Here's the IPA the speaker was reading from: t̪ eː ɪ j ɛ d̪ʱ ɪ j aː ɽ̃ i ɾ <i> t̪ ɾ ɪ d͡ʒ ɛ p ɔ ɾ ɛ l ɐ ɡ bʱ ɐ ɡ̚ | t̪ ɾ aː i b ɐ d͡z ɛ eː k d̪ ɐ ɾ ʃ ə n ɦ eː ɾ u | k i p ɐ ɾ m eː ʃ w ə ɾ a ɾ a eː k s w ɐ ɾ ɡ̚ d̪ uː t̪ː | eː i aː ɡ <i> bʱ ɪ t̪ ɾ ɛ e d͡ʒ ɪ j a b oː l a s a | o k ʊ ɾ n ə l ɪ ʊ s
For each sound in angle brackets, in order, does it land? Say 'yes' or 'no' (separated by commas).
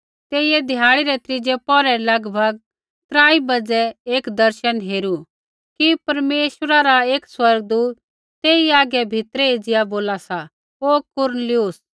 no, no